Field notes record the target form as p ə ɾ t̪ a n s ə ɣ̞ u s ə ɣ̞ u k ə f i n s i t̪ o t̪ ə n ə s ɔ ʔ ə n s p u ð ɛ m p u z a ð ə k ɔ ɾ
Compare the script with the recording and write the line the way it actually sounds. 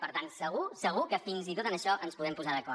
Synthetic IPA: p ə ɾ t̪ a n s ə ɣ̞ u s ə ɣ̞ u k ə f i n z i t̪ o t̪ ə n ə ʃ ɔ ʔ ə n s p u ð ɛ m p u z a ð ə k ɔ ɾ